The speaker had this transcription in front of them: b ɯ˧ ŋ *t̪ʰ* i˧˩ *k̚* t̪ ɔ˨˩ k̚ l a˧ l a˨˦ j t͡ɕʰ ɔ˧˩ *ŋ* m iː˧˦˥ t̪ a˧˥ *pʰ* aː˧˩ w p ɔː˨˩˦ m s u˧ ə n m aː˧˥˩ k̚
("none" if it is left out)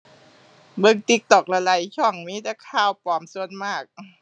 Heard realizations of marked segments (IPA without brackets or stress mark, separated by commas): t̪, k̚, ŋ, kʰ